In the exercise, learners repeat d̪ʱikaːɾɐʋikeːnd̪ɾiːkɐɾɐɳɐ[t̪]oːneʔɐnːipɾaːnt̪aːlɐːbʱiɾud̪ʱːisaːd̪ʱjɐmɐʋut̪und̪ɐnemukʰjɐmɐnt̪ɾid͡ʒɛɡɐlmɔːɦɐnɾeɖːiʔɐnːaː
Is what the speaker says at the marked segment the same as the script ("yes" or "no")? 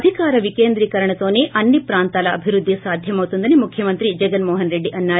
yes